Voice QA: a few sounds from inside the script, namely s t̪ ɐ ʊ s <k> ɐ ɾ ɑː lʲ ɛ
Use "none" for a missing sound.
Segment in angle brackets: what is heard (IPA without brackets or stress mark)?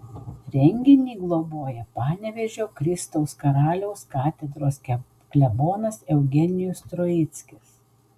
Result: k